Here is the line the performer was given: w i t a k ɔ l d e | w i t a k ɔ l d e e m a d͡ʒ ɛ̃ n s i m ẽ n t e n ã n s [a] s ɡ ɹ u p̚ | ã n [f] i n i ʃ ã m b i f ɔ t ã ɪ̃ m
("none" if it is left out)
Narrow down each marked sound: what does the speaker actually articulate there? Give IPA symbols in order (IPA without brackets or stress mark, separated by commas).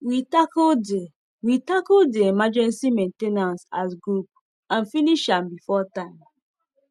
a, f